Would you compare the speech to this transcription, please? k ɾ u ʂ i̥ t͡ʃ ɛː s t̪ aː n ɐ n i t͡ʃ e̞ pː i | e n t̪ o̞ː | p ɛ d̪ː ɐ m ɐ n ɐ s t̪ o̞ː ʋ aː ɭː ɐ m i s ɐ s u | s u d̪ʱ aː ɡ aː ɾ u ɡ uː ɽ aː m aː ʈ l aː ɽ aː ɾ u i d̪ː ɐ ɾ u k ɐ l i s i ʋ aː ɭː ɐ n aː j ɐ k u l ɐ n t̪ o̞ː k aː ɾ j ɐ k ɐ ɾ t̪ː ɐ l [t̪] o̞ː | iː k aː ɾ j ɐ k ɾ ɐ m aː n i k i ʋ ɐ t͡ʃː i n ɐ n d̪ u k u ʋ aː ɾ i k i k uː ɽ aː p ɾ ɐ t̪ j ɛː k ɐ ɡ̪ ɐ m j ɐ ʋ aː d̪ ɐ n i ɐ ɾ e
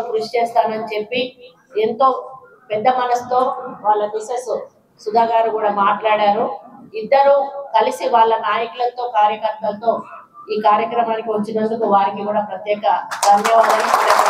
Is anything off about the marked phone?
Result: no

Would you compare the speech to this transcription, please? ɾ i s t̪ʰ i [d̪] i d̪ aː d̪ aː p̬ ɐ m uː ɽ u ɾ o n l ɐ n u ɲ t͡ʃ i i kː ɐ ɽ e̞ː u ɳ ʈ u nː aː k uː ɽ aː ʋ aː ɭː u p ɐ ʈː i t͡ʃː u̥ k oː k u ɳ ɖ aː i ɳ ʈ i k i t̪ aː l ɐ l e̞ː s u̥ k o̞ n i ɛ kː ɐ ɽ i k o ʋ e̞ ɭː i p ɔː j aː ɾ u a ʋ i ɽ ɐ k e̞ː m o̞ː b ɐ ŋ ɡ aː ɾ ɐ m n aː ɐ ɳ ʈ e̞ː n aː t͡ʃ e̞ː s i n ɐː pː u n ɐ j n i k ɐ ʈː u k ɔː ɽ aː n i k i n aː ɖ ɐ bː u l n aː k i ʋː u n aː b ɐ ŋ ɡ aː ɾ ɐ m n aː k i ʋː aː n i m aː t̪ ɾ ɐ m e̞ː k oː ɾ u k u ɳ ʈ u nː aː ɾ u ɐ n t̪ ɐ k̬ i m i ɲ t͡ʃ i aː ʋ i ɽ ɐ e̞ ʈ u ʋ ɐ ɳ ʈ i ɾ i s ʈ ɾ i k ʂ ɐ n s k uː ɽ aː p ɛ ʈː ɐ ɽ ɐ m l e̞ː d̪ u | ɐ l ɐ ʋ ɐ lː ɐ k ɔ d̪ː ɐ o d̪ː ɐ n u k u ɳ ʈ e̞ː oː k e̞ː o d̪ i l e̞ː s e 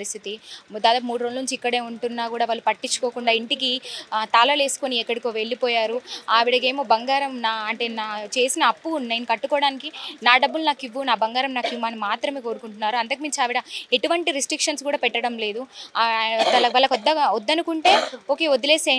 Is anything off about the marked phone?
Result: yes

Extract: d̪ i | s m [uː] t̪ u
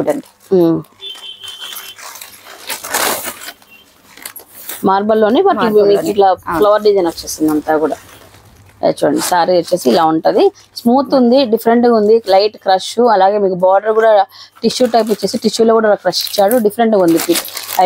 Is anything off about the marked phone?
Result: no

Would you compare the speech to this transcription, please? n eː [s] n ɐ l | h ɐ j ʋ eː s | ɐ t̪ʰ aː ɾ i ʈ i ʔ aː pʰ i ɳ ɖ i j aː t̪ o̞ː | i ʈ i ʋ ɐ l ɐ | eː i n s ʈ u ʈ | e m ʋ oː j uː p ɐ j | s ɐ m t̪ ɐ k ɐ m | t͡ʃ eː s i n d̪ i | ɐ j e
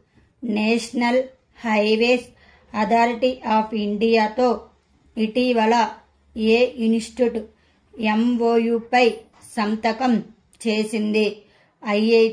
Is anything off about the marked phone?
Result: yes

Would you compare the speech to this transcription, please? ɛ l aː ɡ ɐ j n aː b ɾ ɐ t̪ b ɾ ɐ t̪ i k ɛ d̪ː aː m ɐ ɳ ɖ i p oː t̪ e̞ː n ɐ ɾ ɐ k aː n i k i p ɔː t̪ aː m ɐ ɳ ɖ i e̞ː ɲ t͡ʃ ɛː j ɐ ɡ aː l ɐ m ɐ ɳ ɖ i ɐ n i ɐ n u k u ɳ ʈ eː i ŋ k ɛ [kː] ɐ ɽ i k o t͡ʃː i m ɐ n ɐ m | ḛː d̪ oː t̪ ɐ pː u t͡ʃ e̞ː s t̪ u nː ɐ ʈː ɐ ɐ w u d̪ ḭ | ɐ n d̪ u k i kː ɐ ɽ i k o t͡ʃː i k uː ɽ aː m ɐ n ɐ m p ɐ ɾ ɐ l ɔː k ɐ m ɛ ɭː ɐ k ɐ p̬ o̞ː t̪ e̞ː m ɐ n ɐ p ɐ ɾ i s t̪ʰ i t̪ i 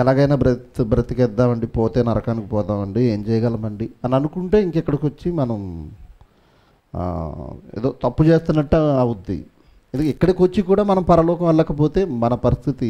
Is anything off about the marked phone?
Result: no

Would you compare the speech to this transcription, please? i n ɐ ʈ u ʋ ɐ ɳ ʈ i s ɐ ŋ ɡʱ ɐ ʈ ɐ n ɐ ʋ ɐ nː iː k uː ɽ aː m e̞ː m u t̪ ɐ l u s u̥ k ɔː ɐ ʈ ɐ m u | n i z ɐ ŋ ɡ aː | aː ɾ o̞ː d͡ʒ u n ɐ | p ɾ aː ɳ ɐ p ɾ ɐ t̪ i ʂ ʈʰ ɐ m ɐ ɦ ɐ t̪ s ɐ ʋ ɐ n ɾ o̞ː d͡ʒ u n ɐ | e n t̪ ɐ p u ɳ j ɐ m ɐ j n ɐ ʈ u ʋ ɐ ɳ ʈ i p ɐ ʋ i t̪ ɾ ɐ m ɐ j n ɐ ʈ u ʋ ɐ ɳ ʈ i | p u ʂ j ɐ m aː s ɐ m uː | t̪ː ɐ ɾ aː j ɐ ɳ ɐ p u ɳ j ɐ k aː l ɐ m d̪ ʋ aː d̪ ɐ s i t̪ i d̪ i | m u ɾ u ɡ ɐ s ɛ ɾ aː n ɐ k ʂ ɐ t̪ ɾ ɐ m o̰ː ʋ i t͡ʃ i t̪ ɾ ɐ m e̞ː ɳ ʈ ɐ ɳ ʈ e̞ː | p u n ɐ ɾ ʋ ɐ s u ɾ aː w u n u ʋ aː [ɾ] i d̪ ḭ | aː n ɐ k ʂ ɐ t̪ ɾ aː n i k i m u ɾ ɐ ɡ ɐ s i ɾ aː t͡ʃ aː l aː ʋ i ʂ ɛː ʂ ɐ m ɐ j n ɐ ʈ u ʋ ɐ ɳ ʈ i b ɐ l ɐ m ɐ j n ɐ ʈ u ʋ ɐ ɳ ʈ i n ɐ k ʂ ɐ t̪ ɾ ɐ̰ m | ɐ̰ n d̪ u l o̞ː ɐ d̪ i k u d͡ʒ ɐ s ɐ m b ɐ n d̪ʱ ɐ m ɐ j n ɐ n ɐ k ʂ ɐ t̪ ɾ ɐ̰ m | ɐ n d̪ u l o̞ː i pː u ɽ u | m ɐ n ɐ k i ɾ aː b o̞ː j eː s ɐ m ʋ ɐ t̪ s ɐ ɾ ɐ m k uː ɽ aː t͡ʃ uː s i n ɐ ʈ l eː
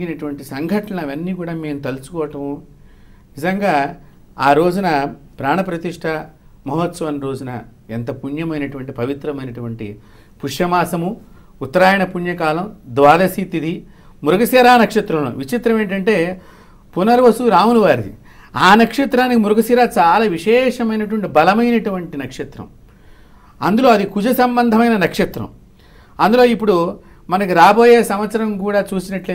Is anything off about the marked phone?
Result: no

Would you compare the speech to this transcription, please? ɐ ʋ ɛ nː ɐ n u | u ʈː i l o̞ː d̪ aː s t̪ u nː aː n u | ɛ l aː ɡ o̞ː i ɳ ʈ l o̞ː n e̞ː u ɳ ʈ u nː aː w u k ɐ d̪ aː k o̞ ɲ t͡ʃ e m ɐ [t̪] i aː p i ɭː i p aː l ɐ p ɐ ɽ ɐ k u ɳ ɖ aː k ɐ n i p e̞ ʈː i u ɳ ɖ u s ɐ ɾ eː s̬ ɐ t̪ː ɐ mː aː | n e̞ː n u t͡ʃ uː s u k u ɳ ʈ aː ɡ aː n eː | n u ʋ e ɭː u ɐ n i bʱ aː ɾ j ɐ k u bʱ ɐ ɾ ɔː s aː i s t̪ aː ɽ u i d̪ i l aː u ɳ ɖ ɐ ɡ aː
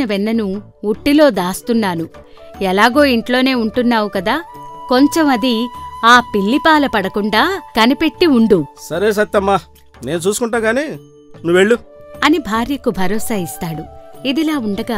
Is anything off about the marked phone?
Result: yes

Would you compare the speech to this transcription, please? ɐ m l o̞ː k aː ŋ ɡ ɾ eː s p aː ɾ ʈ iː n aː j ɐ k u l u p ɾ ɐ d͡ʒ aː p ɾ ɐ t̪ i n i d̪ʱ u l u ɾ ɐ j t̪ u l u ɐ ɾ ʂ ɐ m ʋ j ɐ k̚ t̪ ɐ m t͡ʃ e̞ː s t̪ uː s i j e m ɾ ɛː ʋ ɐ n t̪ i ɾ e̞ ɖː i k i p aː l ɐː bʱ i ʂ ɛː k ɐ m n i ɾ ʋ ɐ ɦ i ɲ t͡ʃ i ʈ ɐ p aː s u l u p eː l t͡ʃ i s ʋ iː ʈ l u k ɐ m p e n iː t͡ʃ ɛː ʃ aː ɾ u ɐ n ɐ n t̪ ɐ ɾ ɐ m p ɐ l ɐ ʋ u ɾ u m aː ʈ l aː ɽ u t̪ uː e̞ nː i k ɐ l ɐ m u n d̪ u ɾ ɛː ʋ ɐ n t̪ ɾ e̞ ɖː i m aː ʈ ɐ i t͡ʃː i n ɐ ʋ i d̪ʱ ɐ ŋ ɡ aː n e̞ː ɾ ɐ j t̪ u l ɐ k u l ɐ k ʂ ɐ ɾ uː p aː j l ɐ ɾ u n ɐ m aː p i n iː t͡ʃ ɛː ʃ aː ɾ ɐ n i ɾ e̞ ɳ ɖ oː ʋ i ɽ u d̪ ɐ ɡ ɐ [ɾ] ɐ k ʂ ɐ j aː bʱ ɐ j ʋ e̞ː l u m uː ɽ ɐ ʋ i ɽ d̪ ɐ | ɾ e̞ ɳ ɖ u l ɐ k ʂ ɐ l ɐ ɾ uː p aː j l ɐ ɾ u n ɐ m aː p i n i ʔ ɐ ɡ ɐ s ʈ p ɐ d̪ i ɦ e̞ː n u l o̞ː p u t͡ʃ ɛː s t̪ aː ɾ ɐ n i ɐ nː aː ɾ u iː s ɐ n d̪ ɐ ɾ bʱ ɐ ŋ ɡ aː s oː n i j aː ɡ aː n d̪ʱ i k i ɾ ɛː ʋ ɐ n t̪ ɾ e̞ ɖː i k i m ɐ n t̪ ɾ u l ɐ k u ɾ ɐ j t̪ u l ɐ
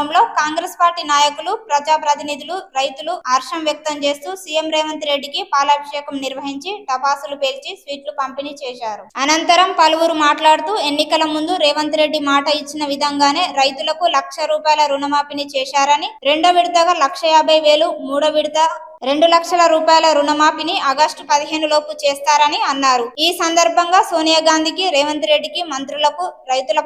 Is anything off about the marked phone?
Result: yes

